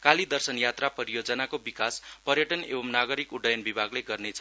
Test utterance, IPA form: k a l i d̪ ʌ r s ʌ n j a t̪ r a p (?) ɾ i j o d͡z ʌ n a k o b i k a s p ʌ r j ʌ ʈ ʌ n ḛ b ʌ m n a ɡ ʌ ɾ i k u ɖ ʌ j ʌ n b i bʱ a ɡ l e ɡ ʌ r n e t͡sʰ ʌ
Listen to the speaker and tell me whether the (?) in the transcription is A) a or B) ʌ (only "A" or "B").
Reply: B